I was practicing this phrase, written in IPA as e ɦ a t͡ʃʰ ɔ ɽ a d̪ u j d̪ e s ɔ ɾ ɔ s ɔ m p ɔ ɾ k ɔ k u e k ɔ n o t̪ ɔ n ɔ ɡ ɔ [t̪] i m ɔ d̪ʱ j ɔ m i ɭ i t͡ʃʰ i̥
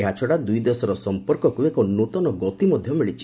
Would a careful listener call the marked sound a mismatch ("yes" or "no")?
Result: no